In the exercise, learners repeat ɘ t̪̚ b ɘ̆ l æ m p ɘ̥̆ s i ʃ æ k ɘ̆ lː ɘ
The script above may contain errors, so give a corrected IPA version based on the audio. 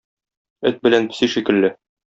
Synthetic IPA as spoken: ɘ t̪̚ b ɘ̆ l æ n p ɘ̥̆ s i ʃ i k ɘ̆ lː ɘ